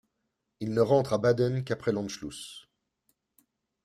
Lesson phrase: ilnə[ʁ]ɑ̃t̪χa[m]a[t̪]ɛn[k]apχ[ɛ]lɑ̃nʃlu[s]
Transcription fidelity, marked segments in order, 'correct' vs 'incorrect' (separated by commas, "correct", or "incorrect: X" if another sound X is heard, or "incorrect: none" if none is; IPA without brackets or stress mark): correct, incorrect: b, incorrect: d̪, correct, correct, correct